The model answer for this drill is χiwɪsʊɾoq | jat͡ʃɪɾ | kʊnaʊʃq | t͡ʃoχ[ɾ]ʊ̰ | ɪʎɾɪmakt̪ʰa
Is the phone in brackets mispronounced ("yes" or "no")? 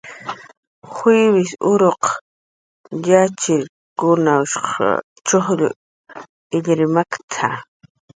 yes